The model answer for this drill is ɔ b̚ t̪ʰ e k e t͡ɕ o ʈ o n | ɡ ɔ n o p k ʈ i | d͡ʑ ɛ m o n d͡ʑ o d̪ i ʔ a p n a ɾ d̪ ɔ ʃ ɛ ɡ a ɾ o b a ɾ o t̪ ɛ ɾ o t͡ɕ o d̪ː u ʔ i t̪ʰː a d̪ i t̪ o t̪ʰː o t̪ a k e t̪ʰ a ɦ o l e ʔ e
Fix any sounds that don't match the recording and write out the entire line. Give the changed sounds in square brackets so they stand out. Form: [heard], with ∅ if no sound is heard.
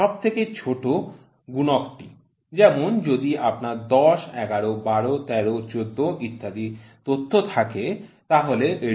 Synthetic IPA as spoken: ɔ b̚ t̪ʰ e k e [t͡ɕʰ] o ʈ o [∅] | ɡ [u] n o [∅] k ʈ i | d͡ʑ ɛ m o n d͡ʑ o d̪ i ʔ a p n a ɾ d̪ ɔ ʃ ɛ ɡ a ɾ o b a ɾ o t̪ ɛ ɾ o t͡ɕ o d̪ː [o] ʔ i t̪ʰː a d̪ i t̪ o t̪ʰː o [t̪ʰ] a k e [t̪] a ɦ o l e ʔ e

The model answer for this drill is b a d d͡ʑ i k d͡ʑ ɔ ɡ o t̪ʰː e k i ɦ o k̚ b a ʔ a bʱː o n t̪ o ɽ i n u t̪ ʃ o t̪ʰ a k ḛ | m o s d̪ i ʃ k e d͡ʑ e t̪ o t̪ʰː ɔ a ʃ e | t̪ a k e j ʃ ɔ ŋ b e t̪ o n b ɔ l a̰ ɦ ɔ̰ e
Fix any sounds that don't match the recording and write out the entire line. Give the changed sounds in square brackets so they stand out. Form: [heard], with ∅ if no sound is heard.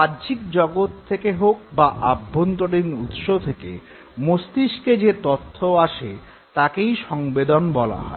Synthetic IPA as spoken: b a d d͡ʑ i k d͡ʑ ɔ ɡ o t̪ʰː e k [e] ɦ o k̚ b a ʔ a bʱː o n t̪ o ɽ i n u t̪ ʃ o t̪ʰ [e] k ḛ | m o s [t̪] i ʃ k e d͡ʑ e t̪ o t̪ʰː [o] a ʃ e | t̪ a k e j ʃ ɔ ŋ b e [d̪] o n b ɔ l a̰ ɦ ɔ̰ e

